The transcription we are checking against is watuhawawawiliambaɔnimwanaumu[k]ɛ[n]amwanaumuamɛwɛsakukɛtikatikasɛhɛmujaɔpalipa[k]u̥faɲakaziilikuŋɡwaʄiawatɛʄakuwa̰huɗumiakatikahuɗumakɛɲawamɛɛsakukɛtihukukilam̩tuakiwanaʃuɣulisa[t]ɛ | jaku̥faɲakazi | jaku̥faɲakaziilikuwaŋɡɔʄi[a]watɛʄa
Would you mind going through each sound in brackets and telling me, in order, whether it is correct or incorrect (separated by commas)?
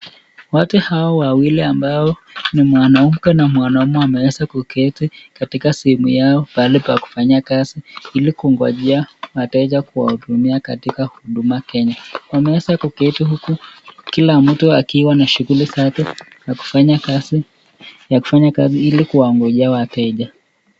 correct, correct, correct, correct, correct